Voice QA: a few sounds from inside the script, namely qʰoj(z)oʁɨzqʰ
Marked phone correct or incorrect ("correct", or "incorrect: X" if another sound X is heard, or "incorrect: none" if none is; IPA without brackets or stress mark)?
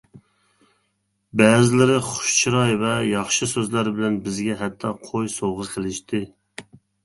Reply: incorrect: s